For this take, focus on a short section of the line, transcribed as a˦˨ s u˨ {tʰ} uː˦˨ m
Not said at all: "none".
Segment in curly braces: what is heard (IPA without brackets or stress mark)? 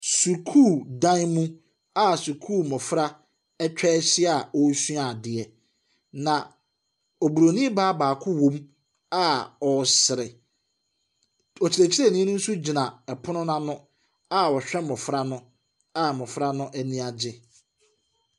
kʰ